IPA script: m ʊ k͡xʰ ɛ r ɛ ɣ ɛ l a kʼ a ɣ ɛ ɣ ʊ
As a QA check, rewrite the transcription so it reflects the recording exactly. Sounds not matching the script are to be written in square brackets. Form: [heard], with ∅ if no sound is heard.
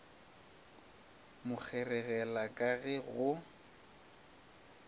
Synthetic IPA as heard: m ʊ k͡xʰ ɛ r ɛ ɣ ɛ l a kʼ a ɣ ɛ ɣ ʊ